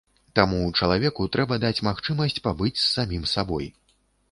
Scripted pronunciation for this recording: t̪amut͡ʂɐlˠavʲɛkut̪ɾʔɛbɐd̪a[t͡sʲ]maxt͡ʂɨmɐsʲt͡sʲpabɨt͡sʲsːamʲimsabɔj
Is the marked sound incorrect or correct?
correct